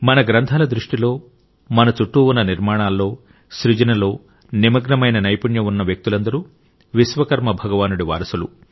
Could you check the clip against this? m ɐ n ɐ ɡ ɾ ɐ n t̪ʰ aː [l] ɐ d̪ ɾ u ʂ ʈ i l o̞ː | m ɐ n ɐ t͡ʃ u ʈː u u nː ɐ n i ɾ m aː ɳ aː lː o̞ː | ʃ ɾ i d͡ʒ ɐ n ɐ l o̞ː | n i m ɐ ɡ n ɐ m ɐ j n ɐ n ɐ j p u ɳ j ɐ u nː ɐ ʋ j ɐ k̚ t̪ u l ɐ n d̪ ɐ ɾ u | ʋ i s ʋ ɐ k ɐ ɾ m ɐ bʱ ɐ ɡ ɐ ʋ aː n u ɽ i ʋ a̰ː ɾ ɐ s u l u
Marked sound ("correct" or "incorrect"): correct